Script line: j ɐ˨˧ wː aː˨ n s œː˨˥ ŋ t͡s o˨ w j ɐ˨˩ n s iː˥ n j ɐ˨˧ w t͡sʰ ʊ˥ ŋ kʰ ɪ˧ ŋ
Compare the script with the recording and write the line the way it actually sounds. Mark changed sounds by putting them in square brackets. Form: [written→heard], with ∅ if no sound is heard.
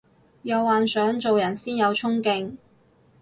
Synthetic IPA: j ɐ˨˧ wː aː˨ n s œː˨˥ ŋ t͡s o˨ w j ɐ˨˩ n s iː˥ n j ɐ˨˧ w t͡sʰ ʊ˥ ŋ [kʰ→k] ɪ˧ ŋ

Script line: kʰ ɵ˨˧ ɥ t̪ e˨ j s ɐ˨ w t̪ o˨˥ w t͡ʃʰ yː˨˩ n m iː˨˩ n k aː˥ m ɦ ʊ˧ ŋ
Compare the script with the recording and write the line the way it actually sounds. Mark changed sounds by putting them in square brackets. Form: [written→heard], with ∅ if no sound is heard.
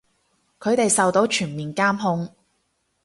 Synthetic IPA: kʰ ɵ˨˧ ɥ t̪ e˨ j s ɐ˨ w t̪ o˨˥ w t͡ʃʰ yː˨˩ n m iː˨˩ n k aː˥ m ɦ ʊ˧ ŋ

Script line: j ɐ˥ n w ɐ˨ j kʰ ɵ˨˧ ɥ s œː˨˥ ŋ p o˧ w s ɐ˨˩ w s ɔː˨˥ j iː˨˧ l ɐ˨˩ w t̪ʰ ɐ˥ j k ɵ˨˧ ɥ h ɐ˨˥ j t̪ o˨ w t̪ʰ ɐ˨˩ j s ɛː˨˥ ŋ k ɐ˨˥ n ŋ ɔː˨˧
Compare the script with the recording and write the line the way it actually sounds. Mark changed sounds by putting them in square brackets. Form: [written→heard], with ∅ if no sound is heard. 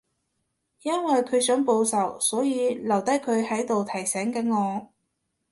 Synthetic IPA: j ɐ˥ n w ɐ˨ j kʰ ɵ˨˧ ɥ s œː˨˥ ŋ p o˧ w s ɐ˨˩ w s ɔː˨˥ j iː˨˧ l ɐ˨˩ w [t̪ʰ→t̪] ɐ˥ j [k→kʰ] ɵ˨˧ ɥ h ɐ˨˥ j t̪ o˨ w t̪ʰ ɐ˨˩ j s ɛː˨˥ ŋ k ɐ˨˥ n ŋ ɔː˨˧

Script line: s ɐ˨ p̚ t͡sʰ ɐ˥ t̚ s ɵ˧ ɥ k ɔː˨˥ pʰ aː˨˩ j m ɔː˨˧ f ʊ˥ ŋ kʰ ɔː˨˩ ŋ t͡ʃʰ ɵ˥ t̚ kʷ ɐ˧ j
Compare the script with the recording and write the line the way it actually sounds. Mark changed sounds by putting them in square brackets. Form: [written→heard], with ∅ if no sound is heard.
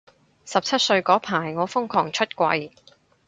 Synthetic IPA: s ɐ˨ p̚ t͡sʰ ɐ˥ t̚ s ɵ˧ ɥ k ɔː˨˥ pʰ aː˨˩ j [m→ŋ] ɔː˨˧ f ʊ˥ ŋ kʰ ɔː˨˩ ŋ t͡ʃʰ ɵ˥ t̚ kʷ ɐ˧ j

